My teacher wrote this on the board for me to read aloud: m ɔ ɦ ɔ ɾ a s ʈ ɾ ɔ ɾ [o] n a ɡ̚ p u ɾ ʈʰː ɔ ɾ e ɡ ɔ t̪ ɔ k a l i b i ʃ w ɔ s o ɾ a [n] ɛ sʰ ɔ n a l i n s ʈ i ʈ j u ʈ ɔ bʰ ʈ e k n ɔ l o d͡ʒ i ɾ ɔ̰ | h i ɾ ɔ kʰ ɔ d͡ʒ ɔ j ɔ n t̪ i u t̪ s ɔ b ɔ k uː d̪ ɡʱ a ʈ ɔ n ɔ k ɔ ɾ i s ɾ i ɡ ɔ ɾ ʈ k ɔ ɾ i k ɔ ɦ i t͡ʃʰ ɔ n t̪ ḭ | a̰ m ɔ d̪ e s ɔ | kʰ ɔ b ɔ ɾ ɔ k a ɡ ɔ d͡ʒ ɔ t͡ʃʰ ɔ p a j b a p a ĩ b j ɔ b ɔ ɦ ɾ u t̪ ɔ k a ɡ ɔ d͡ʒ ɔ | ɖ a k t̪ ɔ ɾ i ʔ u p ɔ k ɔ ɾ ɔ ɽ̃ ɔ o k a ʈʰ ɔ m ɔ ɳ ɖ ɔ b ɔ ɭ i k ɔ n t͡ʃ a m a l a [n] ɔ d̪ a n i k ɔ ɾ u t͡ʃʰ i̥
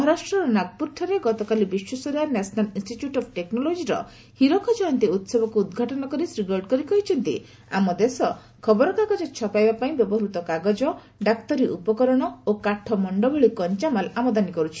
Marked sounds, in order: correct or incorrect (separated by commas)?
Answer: incorrect, correct, incorrect